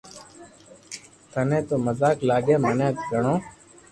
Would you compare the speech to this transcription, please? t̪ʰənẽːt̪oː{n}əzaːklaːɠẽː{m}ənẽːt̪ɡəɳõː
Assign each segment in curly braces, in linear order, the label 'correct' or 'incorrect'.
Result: incorrect, correct

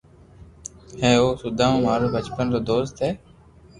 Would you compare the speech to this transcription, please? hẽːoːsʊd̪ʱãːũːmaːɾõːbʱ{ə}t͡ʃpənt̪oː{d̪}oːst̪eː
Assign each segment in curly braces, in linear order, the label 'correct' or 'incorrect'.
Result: correct, correct

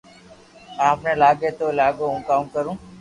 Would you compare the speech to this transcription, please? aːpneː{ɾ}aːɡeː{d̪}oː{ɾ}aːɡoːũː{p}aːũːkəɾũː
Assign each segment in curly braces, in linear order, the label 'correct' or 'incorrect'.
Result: incorrect, incorrect, incorrect, incorrect

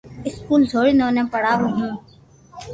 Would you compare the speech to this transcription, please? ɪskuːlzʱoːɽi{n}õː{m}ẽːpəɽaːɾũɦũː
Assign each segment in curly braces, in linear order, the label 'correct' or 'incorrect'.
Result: correct, incorrect

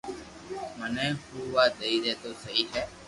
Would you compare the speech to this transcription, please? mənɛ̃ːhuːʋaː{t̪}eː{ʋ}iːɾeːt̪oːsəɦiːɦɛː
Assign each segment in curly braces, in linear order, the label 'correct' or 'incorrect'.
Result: incorrect, incorrect

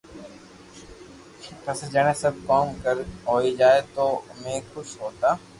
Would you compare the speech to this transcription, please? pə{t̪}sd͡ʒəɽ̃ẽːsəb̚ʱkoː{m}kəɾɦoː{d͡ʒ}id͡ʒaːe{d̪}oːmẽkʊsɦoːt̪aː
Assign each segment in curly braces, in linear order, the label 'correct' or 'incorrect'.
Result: incorrect, correct, incorrect, incorrect

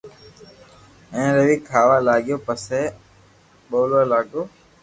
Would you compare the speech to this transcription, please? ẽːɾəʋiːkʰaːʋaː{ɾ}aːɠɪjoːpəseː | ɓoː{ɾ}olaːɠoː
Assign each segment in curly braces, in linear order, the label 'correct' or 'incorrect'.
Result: incorrect, incorrect

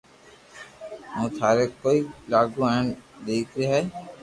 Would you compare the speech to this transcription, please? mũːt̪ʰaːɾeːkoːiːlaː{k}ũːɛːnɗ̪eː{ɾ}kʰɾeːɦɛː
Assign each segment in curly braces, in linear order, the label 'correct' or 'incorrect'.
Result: incorrect, incorrect

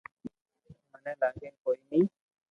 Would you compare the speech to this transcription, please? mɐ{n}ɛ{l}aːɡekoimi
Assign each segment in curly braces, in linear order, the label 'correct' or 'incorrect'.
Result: correct, correct

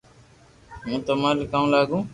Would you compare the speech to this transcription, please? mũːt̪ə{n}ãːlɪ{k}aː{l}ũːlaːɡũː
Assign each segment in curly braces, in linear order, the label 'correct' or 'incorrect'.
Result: incorrect, correct, incorrect

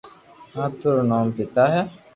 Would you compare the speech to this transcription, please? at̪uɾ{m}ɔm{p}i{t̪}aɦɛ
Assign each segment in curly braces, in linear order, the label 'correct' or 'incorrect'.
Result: incorrect, correct, correct

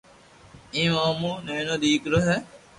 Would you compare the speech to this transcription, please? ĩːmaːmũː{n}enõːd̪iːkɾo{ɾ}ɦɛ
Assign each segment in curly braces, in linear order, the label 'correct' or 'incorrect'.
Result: correct, incorrect

